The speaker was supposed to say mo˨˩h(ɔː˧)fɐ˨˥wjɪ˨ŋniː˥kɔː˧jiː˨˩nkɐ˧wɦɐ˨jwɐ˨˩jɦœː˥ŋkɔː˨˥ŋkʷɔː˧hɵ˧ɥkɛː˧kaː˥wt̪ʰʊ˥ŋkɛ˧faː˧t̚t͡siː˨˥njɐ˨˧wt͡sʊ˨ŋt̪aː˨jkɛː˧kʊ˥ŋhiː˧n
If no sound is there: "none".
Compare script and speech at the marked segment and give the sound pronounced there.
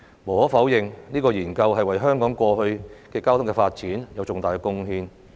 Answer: ɔː˨˥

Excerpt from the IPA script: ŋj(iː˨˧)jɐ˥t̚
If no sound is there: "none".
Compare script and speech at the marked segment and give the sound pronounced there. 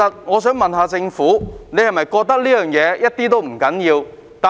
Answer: ɛː˨˧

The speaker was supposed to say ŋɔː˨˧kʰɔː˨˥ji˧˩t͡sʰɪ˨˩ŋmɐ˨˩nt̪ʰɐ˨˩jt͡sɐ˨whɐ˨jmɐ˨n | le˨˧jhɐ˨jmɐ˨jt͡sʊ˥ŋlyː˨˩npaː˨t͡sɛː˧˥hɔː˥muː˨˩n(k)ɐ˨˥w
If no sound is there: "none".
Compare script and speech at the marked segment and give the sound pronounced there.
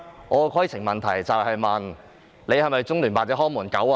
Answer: k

